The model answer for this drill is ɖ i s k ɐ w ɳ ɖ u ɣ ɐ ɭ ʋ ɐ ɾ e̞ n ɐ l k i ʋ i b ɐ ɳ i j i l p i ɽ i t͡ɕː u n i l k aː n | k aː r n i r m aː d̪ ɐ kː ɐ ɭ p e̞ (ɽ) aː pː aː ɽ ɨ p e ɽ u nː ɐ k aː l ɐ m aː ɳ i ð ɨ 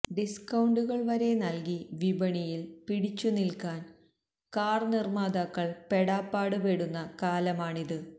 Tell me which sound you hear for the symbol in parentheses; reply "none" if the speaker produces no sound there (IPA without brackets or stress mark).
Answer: ɽ